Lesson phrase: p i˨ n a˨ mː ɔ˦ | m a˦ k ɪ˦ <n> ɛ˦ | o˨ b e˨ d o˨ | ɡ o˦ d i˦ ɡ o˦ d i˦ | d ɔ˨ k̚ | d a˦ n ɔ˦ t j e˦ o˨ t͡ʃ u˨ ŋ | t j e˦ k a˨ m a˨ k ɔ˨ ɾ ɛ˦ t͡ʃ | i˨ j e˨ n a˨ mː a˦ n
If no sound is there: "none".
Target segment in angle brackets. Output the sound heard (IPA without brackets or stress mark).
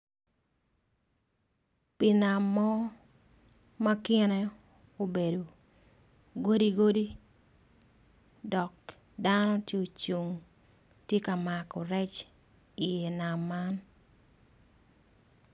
n